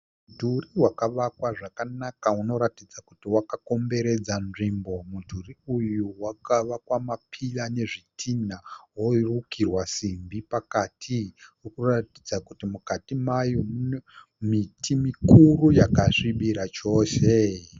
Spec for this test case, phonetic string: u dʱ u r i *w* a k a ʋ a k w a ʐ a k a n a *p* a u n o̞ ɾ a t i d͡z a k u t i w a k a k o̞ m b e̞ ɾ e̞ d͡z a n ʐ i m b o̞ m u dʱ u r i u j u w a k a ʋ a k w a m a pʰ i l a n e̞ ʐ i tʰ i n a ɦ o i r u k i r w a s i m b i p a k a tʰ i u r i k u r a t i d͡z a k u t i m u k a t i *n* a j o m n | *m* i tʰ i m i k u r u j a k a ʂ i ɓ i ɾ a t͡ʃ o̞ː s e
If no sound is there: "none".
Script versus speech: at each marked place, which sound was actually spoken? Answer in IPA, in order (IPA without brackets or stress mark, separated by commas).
w, k, m, m